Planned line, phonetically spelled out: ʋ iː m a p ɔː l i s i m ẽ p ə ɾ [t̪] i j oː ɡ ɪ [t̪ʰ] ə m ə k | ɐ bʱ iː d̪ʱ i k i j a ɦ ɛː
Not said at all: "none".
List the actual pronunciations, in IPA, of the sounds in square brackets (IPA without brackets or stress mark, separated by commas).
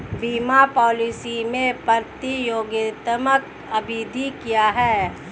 t̪, t̪